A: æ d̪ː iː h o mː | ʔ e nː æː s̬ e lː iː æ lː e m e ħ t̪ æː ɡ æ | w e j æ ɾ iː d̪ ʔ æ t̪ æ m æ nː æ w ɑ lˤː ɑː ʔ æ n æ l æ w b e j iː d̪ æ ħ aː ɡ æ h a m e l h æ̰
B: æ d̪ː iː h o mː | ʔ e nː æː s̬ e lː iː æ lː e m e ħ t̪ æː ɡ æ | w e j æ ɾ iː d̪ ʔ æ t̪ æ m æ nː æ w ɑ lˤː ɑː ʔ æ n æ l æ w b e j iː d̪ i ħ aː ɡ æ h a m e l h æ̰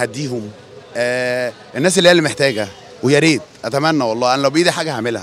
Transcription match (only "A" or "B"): B